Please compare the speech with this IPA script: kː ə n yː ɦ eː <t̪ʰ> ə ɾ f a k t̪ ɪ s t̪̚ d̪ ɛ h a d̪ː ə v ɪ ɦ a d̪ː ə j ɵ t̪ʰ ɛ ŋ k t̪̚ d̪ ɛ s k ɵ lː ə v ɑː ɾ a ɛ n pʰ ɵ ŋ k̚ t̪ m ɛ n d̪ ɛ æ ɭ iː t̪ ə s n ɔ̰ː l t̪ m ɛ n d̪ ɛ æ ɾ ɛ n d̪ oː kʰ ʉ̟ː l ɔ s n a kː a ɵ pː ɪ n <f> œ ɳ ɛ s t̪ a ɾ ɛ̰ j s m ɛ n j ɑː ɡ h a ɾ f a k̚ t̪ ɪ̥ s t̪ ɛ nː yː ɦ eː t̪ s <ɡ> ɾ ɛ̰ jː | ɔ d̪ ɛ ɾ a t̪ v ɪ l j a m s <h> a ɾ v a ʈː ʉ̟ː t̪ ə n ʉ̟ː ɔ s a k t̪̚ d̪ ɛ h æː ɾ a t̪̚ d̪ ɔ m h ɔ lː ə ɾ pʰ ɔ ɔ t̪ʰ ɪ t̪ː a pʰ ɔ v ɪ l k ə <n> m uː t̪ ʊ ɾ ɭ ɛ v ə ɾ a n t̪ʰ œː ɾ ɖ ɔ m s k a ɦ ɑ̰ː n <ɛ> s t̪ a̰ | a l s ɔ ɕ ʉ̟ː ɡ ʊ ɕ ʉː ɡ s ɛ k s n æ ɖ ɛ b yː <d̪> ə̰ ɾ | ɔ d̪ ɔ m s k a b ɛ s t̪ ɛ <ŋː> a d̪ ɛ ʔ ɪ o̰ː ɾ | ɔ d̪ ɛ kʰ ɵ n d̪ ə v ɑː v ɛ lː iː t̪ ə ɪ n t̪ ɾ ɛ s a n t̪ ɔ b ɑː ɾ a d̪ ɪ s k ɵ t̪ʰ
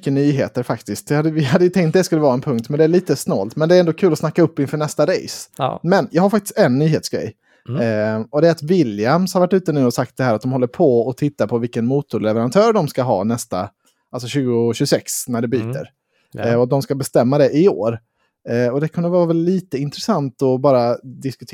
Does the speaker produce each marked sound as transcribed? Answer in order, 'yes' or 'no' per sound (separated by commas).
no, yes, yes, yes, yes, yes, no, no